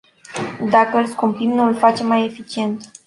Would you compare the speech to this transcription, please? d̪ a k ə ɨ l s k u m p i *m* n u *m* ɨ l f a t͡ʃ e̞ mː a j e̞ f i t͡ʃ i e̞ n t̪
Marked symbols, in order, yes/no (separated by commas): yes, no